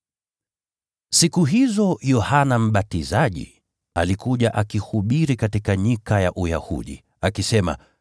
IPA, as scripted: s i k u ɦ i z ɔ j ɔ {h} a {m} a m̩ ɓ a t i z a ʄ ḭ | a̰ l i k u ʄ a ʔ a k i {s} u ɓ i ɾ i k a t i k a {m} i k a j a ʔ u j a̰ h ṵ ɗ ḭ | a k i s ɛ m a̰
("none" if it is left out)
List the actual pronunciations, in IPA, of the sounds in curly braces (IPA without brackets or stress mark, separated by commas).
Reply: h, n, h, ɲ